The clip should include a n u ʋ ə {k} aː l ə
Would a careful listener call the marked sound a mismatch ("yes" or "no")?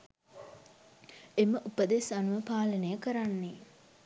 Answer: yes